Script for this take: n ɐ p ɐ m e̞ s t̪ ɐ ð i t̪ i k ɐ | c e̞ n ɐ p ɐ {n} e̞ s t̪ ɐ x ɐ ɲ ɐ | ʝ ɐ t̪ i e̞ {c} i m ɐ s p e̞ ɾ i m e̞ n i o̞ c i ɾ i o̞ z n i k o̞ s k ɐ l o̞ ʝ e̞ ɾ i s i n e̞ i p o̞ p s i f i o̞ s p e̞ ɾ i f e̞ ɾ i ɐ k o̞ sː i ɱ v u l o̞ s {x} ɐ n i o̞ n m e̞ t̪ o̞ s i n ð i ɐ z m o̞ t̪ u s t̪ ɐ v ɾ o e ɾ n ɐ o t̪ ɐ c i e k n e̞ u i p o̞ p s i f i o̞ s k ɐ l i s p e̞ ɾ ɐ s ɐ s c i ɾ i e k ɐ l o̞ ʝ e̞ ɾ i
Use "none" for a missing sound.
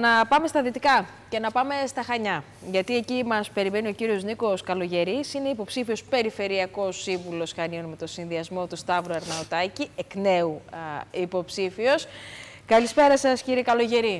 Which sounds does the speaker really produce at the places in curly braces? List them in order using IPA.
m, c, x

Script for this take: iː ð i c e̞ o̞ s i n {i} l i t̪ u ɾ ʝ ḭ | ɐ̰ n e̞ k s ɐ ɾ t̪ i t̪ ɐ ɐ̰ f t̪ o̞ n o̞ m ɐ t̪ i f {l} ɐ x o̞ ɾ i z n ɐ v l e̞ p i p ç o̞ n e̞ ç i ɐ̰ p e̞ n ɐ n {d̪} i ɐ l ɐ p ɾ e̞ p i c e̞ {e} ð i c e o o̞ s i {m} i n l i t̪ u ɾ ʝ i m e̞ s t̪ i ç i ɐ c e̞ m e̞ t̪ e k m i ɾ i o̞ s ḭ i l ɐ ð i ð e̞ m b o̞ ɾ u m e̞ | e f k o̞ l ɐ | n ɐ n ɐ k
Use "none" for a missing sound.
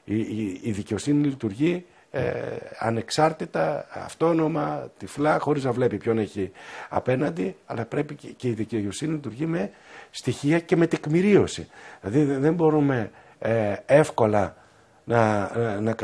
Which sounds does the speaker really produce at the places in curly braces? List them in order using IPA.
i, l, d̪, i, n

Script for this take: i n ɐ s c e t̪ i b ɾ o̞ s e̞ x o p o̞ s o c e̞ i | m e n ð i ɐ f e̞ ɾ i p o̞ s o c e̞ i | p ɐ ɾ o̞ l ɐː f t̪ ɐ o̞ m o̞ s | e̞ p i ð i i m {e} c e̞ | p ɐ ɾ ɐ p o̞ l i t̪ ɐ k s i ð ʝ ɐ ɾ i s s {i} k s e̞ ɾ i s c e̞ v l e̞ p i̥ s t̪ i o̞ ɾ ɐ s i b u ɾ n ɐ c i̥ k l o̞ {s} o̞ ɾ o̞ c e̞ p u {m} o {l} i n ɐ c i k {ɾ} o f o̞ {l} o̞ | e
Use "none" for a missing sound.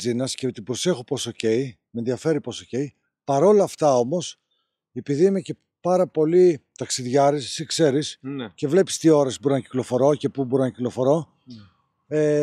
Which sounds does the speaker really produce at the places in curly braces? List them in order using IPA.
e, i, f, b, ɾ, l, ɾ

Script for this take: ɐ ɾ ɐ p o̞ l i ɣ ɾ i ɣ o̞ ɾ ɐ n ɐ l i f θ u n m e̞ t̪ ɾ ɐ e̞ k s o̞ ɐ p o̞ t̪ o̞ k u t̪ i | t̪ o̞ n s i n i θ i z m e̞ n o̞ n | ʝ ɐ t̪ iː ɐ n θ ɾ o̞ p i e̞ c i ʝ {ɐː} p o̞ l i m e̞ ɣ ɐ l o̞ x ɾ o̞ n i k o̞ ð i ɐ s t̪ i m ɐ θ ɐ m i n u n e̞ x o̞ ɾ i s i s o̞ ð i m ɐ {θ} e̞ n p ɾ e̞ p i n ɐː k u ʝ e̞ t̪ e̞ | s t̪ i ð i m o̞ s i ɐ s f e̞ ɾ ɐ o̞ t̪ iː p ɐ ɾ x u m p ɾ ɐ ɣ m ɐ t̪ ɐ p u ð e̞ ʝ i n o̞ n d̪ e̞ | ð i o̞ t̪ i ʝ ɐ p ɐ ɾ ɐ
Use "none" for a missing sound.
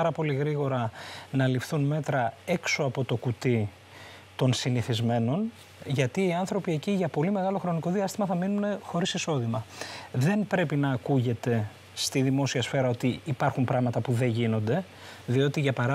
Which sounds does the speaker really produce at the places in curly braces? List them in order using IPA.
ɐ, ð

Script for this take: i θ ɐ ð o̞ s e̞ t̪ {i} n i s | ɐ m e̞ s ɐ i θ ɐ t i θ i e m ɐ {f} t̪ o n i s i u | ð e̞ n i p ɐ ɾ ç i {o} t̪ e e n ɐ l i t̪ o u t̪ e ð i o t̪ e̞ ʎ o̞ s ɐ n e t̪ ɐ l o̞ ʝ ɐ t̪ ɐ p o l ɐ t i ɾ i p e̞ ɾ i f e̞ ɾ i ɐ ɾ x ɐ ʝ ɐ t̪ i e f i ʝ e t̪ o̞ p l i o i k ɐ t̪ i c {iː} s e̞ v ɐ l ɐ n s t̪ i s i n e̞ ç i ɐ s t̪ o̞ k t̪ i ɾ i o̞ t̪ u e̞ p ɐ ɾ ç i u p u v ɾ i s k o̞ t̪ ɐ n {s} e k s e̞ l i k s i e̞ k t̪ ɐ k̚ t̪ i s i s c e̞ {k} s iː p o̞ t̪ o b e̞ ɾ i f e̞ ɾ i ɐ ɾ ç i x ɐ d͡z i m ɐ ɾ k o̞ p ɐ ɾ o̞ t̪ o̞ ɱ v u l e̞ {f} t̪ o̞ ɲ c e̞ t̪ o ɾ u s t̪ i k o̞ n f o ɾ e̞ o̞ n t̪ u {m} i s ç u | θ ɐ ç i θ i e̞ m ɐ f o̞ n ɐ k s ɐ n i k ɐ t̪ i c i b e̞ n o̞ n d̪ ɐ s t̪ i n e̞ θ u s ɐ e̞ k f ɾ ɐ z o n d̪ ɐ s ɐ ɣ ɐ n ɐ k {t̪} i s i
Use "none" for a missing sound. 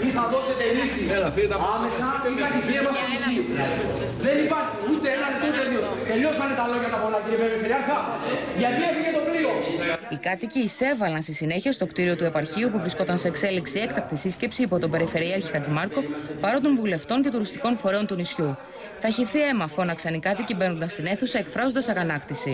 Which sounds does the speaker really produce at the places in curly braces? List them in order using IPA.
e, s, u, iː, s, p, f, n, t̪

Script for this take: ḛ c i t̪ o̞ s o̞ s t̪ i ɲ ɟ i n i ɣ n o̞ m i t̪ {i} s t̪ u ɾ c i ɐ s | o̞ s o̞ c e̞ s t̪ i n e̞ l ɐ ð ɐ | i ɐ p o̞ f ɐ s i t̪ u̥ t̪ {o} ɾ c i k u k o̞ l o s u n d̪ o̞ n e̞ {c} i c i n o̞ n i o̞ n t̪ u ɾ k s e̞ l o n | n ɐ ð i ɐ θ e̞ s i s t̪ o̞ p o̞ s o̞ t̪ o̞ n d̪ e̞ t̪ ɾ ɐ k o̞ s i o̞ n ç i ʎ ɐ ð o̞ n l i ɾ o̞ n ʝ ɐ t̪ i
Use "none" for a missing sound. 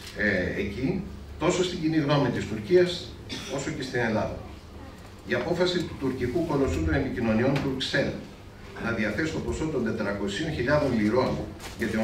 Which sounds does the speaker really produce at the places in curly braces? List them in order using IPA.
i, u, p

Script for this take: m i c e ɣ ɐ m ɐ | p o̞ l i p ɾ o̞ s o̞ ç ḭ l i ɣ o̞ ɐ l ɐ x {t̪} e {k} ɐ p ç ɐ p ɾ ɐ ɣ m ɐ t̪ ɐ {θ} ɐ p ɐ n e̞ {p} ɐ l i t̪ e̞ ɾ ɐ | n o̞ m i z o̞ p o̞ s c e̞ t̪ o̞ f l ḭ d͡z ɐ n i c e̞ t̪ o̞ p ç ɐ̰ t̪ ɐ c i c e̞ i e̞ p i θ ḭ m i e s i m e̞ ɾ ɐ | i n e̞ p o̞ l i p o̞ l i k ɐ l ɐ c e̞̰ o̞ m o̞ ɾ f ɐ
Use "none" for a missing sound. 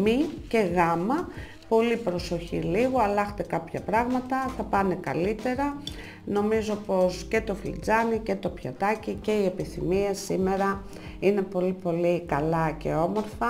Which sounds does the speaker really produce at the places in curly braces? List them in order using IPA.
t̪, k, θ, k

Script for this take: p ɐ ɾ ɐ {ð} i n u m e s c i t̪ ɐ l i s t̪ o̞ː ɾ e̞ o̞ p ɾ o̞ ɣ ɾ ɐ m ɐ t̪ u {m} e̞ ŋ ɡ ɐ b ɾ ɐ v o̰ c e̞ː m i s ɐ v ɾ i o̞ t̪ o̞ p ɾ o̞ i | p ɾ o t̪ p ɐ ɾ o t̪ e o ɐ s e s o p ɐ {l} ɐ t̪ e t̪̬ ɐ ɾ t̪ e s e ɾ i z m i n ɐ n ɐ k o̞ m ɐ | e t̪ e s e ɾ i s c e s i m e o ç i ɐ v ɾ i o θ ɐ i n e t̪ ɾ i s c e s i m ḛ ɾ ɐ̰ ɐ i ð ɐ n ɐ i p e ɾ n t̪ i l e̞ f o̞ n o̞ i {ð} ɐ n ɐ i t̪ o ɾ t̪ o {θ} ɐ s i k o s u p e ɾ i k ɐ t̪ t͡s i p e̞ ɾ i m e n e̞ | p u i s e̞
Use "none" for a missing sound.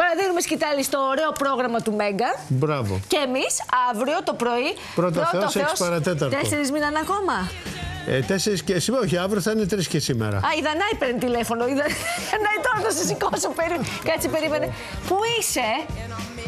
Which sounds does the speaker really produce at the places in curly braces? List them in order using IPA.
ð, m, ɾ, ð, s

